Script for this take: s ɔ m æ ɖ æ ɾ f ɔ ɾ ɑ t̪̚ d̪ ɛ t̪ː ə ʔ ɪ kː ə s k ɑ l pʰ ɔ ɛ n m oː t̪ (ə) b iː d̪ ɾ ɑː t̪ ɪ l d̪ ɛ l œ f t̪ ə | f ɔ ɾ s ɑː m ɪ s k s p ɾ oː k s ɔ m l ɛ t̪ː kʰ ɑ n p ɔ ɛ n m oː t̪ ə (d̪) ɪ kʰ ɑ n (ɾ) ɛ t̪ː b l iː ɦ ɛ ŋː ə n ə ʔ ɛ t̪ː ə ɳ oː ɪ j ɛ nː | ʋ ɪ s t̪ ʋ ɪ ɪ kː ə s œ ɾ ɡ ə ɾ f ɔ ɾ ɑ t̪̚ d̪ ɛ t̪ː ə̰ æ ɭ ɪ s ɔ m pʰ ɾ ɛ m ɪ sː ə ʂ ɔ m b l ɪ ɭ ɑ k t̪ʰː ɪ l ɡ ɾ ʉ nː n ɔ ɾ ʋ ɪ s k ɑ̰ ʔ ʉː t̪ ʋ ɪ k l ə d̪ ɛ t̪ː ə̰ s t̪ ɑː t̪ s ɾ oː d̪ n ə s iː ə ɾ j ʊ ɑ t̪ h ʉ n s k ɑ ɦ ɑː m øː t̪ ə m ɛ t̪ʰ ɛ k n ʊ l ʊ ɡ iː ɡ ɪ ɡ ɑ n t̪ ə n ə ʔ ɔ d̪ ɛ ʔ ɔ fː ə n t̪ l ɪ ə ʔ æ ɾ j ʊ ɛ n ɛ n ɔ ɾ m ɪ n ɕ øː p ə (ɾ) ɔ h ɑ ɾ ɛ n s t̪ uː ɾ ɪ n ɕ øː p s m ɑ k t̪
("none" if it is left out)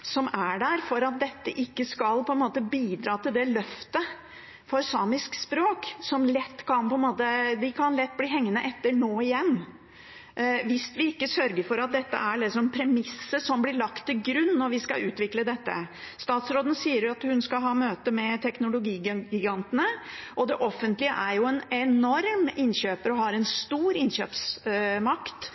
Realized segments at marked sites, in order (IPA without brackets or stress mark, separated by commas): ə, d̪, l, ɾ